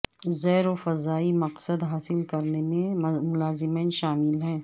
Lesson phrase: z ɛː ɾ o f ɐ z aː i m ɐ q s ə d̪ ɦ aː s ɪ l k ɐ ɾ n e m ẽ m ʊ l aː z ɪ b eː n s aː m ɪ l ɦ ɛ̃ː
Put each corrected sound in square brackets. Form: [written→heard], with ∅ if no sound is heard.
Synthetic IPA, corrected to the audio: z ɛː ɾ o f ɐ z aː i m ɐ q s ə d̪ ɦ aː s ɪ l k ɐ ɾ n e m ẽ m ʊ l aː z ɪ [b→m] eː n [s→ʃ] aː m ɪ l ɦ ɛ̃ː

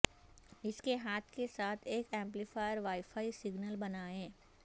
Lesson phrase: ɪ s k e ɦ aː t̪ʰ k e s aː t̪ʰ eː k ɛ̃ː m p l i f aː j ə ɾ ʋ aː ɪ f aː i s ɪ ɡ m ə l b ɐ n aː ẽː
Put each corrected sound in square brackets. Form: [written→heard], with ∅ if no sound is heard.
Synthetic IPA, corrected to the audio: ɪ s k e ɦ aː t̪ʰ k e s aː t̪ʰ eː k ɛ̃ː m p l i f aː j ə ɾ ʋ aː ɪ f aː i s ɪ ɡ [m→n] ə l b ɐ n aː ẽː

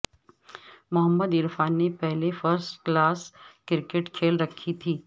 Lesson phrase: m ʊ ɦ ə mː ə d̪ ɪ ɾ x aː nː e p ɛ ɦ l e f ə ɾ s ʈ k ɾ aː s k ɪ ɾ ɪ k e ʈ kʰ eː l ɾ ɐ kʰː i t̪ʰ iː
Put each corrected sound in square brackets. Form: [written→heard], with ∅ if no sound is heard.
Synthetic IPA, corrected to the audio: m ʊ ɦ ə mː ə d̪ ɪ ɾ [x→f] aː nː e p ɛ ɦ l e f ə ɾ s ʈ k [ɾ→l] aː s k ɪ ɾ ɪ k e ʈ kʰ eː l ɾ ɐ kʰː i t̪ʰ iː

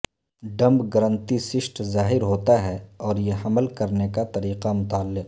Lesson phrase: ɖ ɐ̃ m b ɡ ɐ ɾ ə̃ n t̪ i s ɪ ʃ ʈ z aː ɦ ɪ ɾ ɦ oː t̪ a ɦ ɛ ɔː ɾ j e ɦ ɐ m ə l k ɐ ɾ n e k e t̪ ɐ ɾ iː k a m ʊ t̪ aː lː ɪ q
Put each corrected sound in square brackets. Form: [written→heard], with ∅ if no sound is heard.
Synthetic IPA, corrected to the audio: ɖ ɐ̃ m b ɡ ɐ ɾ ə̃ n t̪ i s ɪ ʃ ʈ z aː ɦ ɪ ɾ ɦ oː t̪ a ɦ ɛ ɔː ɾ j e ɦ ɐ m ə l k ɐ ɾ n e k [e→a] t̪ ɐ ɾ iː [k→q] a m ʊ t̪ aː lː ɪ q

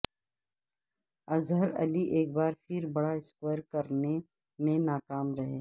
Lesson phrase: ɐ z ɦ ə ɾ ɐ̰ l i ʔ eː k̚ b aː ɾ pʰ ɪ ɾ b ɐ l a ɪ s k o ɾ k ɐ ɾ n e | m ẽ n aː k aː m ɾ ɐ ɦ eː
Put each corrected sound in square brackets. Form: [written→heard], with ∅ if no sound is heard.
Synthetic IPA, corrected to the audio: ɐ z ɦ ə ɾ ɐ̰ l i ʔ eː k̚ b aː ɾ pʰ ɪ ɾ b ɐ [l→ɽ] a ɪ s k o ɾ k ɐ ɾ n e | m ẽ n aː k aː m ɾ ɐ ɦ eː

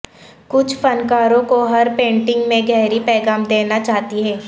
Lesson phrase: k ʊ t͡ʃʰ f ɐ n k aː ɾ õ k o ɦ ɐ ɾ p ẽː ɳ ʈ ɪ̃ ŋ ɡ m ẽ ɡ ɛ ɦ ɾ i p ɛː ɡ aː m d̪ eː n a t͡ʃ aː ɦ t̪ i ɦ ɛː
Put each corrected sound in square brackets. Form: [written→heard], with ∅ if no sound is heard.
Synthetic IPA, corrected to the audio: k ʊ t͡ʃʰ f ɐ n k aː ɾ õ k o ɦ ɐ ɾ p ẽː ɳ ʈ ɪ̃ ŋ ɡ m ẽ ɡ ɛ ɦ ɾ i p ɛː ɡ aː m d̪ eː n a t͡ʃ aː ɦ t̪ i ɦ ɛː

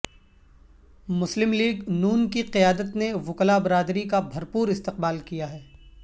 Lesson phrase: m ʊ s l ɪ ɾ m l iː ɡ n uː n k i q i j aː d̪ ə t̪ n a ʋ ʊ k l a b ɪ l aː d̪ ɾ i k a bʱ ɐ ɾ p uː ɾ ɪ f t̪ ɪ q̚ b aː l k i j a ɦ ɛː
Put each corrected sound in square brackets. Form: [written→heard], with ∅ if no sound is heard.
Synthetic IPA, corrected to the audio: m ʊ s l ɪ [ɾ→∅] m l iː ɡ n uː n k i q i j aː d̪ ə t̪ n [a→e] ʋ ʊ k l a b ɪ [l→ɾ] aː d̪ ɾ i k a bʱ ɐ ɾ p uː ɾ ɪ [f→s] t̪ ɪ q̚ b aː l k i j a ɦ ɛː

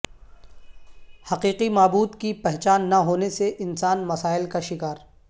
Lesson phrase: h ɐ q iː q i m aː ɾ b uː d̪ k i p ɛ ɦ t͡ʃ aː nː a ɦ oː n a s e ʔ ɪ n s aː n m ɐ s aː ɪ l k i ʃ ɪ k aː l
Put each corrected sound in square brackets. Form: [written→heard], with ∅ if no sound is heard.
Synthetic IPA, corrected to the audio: h ɐ q iː q i m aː [ɾ→∅] b uː d̪ k i p ɛ ɦ t͡ʃ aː nː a ɦ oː n [a→e] s e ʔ ɪ n s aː n m ɐ s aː ɪ l k [i→a] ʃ ɪ k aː [l→ɾ]

